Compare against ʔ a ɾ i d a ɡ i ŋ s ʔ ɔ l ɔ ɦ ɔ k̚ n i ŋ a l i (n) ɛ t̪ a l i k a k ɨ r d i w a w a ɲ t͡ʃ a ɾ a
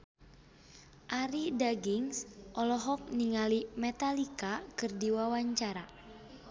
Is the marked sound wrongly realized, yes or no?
yes